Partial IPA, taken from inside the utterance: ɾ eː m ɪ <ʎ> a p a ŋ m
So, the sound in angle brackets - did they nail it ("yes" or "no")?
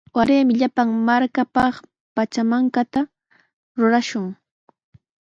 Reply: yes